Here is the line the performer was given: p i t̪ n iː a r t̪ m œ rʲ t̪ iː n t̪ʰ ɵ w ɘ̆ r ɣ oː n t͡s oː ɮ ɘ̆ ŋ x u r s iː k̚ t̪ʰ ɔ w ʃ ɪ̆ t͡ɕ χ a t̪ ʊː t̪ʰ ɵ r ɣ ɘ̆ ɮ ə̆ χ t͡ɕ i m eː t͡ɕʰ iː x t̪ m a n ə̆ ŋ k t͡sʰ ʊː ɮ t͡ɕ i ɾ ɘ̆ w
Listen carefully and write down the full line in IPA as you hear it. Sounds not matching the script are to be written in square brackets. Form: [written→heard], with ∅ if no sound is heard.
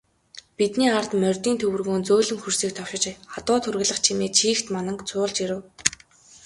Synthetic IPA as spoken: p i t̪ n iː a r t̪ m œ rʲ t̪ iː n t̪ʰ ɵ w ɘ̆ r ɣ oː n t͡s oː ɮ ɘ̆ ŋ x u r s iː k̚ t̪ʰ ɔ w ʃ ɪ̆ t͡ɕ χ a t̪ ʊː t̪ʰ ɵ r ɣ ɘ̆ ɮ ə̆ χ [t͡ɕ→t͡ɕʰ] i m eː t͡ɕʰ iː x t̪ m a n ə̆ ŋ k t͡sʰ ʊː ɮ t͡ɕ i ɾ ɘ̆ w